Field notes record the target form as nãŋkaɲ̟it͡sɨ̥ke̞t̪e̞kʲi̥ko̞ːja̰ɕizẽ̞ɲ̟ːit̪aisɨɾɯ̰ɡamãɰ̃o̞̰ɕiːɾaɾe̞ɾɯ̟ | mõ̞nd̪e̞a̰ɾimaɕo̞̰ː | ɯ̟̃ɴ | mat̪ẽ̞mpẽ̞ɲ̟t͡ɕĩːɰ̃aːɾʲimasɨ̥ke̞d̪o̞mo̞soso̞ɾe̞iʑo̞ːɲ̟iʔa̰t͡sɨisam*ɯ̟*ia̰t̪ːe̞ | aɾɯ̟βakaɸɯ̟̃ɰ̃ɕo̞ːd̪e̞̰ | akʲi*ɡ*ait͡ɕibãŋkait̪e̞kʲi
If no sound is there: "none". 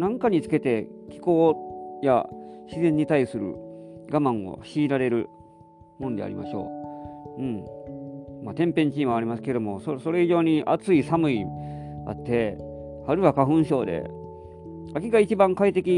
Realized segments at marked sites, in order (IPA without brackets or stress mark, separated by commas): ɯ̟, ɡ